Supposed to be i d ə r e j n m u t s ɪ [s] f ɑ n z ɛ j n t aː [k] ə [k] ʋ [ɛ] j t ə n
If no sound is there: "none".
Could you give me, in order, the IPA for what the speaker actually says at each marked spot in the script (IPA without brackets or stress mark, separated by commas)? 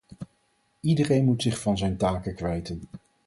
χ, k, k, ɛ